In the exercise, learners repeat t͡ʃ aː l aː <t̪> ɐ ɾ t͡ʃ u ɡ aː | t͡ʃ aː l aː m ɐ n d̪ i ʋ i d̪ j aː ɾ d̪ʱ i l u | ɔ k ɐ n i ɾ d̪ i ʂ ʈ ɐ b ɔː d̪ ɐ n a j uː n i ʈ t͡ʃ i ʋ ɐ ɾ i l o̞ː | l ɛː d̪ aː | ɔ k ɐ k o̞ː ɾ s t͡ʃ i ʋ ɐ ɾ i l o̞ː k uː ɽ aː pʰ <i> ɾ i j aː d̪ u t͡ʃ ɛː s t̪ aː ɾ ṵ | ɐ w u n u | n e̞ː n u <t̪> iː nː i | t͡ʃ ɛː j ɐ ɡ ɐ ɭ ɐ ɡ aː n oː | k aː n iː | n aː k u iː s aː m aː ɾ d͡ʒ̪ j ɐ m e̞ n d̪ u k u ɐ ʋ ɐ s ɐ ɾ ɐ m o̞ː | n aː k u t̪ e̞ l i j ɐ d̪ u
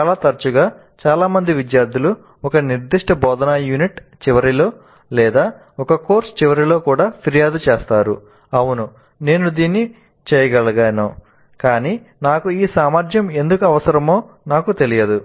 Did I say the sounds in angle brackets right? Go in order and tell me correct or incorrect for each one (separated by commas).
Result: correct, correct, incorrect